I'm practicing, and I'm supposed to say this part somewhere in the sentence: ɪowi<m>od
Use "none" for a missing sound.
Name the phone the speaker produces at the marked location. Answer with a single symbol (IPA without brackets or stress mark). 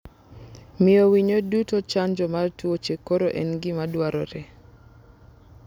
ɲ